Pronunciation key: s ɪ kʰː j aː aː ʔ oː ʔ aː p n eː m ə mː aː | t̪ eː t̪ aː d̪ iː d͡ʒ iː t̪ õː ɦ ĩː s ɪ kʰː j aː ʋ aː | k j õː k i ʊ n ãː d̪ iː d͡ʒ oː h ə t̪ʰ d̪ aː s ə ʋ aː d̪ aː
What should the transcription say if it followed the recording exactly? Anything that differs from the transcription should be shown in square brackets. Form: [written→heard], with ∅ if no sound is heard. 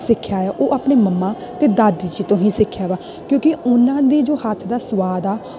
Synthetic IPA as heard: s ɪ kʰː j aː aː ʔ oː ʔ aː p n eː m ə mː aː | t̪ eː [t̪→d̪] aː d̪ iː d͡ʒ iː t̪ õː ɦ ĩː s ɪ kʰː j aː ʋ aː | k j õː k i ʊ n ãː d̪ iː d͡ʒ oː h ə t̪ʰ d̪ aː s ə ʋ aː d̪ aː